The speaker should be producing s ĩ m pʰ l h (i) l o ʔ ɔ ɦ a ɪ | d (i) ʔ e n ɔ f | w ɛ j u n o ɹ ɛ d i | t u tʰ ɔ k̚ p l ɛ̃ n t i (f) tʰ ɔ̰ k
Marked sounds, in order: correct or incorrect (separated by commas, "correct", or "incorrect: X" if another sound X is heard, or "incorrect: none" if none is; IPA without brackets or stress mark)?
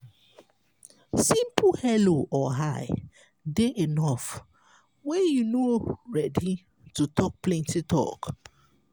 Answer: incorrect: ɛ, incorrect: e, incorrect: none